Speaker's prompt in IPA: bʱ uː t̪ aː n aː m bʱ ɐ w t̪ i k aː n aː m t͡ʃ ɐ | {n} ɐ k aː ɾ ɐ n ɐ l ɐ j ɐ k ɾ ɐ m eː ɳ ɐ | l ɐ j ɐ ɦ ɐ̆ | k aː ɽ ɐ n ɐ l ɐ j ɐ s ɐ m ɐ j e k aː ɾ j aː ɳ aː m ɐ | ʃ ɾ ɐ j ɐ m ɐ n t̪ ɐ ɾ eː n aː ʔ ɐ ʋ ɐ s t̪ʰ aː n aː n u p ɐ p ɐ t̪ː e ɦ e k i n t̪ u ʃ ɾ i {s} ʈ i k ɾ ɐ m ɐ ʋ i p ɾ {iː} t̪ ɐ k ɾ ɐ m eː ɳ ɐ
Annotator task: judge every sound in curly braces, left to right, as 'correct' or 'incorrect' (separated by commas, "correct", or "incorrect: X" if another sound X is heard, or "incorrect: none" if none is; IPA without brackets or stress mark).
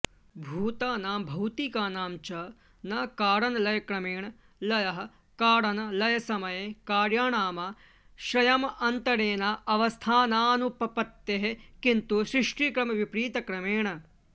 correct, incorrect: ʂ, correct